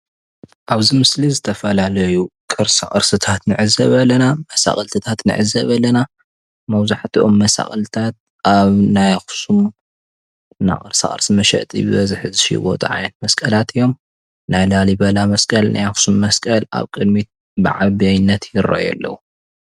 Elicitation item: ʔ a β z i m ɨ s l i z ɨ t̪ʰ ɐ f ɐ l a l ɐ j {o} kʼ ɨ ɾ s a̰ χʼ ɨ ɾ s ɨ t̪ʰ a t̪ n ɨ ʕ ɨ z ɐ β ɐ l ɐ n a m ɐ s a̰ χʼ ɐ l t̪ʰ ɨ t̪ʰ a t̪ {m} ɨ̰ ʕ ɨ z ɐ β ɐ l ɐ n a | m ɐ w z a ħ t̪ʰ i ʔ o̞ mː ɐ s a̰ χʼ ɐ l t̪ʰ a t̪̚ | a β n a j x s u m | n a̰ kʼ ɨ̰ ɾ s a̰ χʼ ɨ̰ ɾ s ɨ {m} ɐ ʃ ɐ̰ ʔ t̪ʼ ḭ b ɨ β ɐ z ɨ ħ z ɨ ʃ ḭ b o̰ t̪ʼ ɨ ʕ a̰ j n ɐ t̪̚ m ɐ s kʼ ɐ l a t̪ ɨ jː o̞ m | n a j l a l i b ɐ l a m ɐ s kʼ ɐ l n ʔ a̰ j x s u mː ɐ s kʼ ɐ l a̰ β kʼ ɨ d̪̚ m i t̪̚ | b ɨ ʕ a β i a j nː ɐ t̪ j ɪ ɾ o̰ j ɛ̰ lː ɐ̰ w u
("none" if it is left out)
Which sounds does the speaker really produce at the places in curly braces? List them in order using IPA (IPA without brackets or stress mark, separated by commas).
u, n, m